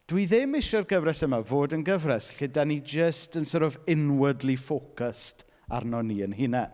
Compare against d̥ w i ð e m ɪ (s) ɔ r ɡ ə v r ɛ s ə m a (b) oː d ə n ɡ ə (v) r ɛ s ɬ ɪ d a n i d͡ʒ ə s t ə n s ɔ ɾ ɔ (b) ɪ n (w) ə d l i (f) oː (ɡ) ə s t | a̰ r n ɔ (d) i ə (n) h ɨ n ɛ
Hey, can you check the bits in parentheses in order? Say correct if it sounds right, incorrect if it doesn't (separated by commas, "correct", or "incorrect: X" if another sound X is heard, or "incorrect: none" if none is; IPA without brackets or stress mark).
incorrect: ʃ, incorrect: v, correct, incorrect: v, correct, correct, incorrect: k, incorrect: n, correct